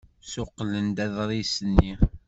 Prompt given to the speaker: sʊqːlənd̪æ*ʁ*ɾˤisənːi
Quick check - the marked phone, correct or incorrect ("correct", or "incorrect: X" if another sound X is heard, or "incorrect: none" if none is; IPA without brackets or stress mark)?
incorrect: ð